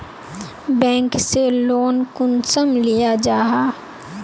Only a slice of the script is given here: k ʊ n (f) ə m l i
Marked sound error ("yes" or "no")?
yes